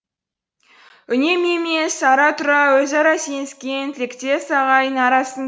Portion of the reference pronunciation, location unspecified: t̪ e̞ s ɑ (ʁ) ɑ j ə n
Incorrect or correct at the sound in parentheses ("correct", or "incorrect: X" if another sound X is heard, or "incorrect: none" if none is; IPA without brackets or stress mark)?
correct